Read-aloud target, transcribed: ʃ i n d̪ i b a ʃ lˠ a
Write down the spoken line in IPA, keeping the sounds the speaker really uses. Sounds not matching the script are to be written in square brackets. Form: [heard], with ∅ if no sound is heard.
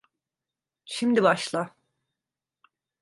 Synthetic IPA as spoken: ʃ i [m] d̪ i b a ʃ lˠ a